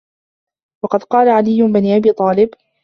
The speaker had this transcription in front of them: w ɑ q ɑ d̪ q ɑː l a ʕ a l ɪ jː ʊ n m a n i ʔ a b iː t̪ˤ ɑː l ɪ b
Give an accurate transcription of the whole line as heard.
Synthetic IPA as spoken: w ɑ q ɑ d̪ q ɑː l a ʕ a l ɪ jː ʊ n b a n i ʔ a b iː t̪ˤ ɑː l ɪ b